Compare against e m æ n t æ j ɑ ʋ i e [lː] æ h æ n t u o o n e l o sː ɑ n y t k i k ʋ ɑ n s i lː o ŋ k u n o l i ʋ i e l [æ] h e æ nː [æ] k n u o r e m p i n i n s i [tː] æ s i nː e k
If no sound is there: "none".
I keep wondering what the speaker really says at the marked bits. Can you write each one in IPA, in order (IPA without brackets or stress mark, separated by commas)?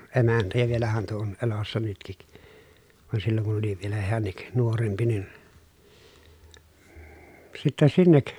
l, æ, i, tː